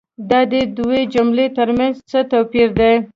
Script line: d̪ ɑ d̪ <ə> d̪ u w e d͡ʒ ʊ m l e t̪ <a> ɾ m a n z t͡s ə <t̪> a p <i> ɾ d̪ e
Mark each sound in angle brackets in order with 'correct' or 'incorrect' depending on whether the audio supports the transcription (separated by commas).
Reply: correct, incorrect, correct, correct